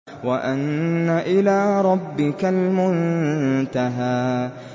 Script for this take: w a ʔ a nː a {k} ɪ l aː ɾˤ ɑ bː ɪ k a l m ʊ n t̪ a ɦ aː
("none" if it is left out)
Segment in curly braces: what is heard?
ʔ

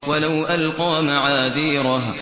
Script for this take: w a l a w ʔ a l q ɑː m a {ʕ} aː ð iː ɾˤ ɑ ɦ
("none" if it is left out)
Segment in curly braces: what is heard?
ʕ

